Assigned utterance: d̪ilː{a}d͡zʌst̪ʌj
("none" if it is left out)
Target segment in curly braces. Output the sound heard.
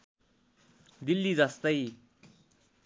i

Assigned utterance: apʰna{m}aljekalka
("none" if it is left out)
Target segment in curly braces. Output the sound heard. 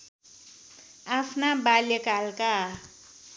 b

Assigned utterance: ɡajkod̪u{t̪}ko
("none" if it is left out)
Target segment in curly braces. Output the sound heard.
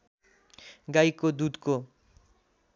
d̪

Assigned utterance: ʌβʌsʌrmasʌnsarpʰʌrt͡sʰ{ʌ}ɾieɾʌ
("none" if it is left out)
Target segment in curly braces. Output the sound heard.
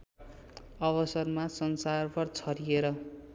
ʌ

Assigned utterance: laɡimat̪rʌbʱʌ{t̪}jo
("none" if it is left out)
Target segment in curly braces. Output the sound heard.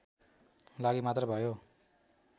none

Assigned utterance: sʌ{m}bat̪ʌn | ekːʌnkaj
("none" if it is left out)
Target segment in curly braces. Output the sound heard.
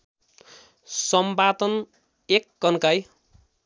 m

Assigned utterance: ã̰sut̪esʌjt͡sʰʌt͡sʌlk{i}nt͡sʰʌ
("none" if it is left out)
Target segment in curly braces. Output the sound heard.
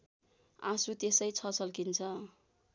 i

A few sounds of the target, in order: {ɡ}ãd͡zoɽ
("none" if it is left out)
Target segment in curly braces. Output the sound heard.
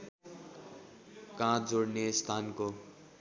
k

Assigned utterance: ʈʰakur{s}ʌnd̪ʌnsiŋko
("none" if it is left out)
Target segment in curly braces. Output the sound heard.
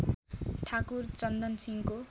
t͡s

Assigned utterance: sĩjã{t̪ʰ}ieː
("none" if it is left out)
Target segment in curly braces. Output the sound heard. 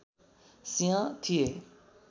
t̪ʰ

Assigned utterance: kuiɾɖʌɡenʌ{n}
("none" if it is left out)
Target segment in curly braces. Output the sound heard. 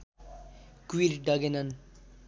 n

